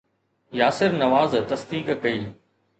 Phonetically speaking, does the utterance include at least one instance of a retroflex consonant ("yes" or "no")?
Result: no